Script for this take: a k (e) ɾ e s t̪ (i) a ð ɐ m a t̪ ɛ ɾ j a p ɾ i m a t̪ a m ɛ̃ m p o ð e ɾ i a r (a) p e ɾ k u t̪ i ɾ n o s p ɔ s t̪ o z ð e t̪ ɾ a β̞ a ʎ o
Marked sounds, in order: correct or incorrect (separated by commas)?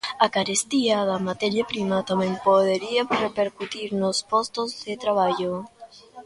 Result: incorrect, correct, incorrect